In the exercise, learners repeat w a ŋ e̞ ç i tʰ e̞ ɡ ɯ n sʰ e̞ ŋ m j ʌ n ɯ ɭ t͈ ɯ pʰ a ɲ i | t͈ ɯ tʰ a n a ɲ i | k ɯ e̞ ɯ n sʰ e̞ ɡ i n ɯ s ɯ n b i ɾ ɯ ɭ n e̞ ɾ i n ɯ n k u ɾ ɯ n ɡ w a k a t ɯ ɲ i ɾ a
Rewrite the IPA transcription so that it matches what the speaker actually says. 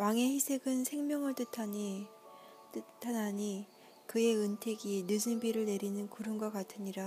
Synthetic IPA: w a ŋ e̞ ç i sʰ e̞ ɡ ɯ n sʰ e̞ ŋ m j ʌ ŋ ɯ ɭ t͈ ɯ tʰ a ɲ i | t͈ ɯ tʰ a n a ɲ i | k ɯ e̞ ɯ n tʰ e̞ ɡ i n ɯ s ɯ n b i ɾ ɯ ɭ n e̞ ɾ i n ɯ n k u ɾ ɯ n ɡ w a k a tʰ ɯ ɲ i ɾ a